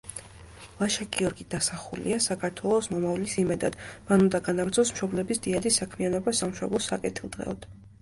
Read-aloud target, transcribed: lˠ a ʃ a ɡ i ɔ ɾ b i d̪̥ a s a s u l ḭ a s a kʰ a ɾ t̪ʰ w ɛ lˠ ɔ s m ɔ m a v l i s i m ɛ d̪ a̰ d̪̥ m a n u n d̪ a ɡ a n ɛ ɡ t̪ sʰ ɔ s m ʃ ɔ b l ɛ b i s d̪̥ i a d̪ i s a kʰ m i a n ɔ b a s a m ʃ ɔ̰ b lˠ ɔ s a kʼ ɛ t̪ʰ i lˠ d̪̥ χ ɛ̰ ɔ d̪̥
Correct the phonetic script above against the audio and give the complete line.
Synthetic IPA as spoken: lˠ a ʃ a ɡ i ɔ ɾ ɡ i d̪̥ a s a χ u l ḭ a s a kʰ a ɾ t̪ʰ w ɛ lˠ ɔ s m ɔ m a v l i s i m ɛ d̪ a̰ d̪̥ m a n u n d̪ a ɡ a n a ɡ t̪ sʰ ɔ s m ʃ ɔ b l ɛ b i s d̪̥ i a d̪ i s a kʰ m i a n ɔ b a s a m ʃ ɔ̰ b lˠ ɔ s a kʼ ɛ t̪ʰ i lˠ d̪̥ ʁ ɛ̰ ɔ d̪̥